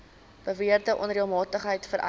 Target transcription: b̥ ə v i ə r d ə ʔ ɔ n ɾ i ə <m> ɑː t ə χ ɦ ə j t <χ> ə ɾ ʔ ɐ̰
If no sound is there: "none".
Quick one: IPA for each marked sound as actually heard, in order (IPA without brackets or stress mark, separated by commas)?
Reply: m, f